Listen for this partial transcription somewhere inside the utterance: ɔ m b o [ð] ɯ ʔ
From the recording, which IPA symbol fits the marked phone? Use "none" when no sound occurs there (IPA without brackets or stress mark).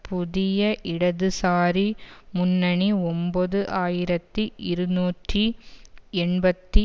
ð